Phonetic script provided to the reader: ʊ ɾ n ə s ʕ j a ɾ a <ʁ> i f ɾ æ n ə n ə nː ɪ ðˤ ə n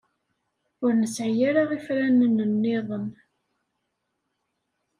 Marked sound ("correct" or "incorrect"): correct